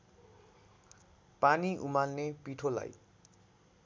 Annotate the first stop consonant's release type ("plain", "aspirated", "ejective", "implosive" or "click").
plain